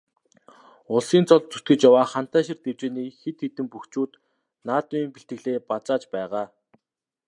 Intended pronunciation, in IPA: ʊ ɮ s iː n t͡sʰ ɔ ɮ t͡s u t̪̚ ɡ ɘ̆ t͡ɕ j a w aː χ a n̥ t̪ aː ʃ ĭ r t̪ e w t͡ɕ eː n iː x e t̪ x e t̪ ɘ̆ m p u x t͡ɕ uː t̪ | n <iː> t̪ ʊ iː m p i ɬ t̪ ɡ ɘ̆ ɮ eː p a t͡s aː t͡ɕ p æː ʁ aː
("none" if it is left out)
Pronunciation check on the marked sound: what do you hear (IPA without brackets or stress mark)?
aː